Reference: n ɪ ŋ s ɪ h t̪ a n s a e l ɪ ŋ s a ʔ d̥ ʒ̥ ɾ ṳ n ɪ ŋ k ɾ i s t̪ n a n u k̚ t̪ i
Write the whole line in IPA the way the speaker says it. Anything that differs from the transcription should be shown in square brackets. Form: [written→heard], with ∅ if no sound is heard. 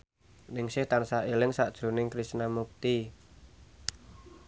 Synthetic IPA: n ɪ ŋ s ɪ h t̪ a n s a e l ɪ ŋ s a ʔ d̥ ʒ̥ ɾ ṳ n ɪ ŋ k ɾ i s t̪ n a [n→m] u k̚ t̪ i